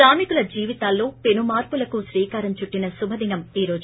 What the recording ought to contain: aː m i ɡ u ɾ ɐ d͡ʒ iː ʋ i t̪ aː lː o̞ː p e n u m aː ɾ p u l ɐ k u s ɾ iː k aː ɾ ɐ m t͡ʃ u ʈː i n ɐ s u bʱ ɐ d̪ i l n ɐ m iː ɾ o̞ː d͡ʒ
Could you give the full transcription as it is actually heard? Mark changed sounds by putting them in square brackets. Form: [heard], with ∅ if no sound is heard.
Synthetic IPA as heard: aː m i [k] u [l] ɐ d͡ʒ iː ʋ i t̪ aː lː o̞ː p e n u m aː ɾ p u l ɐ k u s ɾ iː k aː ɾ ɐ m t͡ʃ u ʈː i n ɐ s u bʱ ɐ d̪ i [∅] n ɐ m iː ɾ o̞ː d͡ʒ